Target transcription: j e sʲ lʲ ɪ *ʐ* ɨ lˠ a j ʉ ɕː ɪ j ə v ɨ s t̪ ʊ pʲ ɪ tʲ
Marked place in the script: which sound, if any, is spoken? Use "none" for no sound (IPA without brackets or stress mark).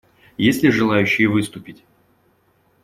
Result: ʐ